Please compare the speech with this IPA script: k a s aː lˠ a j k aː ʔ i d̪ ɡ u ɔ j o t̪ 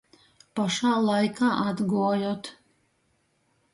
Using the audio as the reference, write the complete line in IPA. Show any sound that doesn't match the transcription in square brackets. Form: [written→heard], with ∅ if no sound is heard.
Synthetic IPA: [k→p] a [s→ʃ] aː lˠ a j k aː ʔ [i→a] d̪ ɡ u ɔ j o t̪